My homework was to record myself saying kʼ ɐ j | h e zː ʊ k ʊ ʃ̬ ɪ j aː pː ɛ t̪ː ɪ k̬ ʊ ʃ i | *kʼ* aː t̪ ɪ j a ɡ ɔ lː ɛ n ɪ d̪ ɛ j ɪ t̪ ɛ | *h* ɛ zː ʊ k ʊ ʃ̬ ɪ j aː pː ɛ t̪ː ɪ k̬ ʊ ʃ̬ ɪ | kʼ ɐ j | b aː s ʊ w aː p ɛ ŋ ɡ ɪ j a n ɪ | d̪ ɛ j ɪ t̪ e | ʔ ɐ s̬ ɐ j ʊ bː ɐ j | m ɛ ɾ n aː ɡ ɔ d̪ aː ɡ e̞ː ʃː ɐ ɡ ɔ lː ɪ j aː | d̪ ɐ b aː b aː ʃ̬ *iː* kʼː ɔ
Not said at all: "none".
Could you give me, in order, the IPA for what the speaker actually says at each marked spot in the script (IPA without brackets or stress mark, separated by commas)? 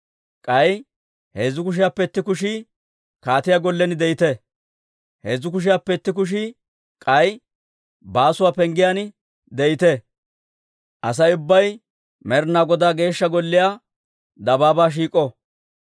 k, h, iː